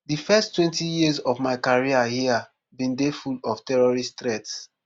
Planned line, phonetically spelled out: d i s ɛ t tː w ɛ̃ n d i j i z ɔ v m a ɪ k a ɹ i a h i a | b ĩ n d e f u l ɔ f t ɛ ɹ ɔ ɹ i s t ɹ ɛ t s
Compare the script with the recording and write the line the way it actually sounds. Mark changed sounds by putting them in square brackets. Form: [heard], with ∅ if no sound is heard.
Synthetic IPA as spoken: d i [f] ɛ [s] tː w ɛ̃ n [t] i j i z ɔ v m a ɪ k a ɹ i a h i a | b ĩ n d e f u l ɔ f t ɛ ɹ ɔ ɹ i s t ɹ ɛ t s